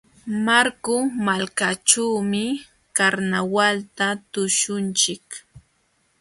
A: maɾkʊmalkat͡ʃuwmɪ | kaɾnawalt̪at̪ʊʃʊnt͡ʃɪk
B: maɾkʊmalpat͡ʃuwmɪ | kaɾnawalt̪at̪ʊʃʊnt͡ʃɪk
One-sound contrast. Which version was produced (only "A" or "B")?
A